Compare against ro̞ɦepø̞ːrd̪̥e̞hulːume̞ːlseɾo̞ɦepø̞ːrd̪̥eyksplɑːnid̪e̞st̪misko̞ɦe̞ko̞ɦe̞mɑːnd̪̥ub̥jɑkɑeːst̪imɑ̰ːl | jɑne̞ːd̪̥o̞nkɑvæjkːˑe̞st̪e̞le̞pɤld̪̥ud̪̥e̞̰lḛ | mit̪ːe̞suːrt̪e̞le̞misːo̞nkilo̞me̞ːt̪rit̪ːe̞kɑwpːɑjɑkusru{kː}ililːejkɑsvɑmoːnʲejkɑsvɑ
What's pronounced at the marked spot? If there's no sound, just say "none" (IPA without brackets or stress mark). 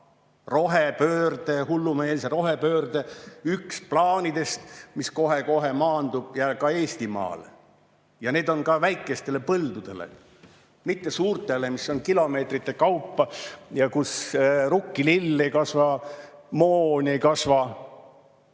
kː